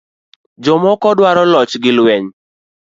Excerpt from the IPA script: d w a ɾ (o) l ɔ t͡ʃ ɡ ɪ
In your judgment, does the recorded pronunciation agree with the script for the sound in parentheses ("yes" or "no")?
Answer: no